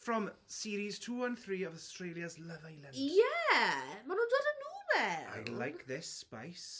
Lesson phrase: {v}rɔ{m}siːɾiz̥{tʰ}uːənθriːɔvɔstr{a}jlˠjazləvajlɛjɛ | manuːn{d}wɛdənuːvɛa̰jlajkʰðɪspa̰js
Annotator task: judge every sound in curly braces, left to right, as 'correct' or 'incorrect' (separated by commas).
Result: incorrect, correct, correct, incorrect, correct